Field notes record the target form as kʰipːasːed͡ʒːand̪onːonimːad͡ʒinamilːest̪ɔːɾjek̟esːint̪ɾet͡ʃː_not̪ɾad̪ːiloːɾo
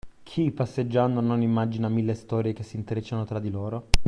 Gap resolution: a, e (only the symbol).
a